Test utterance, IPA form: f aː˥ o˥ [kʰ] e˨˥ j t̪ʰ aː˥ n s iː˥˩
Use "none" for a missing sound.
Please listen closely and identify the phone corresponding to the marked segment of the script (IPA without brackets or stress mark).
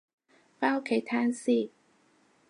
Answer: kʰ